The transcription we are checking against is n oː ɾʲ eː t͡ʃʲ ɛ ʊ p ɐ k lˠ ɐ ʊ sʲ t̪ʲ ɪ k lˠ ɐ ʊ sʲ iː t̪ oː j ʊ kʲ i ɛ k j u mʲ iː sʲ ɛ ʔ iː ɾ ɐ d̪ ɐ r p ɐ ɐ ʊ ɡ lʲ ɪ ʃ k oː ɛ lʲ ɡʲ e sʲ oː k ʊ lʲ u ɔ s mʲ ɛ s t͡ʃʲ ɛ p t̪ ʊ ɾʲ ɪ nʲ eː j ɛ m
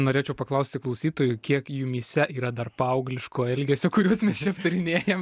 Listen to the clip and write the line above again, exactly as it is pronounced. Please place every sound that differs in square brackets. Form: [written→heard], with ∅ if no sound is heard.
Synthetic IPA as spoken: n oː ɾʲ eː t͡ʃʲ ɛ ʊ p ɐ k lˠ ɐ ʊ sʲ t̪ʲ ɪ k lˠ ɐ ʊ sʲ iː t̪ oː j ʊ kʲ i ɛ k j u mʲ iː sʲ ɛ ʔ iː ɾ ɐ d̪ ɐ r p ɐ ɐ ʊ ɡ lʲ ɪ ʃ k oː ɛ lʲ ɡʲ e sʲ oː k ʊ [lʲ→ɾʲ] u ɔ s mʲ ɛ s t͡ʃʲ ɛ p t̪ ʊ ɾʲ ɪ nʲ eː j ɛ m